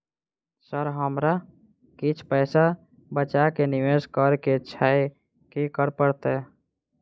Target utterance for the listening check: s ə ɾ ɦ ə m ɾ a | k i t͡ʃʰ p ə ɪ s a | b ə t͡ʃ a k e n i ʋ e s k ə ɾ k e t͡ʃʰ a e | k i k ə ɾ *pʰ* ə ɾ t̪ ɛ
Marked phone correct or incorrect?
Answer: incorrect